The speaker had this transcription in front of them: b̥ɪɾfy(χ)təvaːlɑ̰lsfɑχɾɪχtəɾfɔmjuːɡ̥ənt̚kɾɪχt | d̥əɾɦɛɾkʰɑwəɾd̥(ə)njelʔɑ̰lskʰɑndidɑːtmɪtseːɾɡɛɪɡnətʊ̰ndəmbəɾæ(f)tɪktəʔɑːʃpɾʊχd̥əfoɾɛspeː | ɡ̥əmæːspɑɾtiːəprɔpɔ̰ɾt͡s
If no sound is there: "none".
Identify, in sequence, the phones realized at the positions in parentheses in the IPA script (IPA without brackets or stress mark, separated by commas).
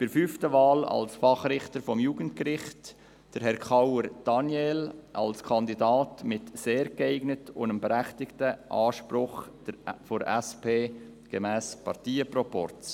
f, ɑ, χ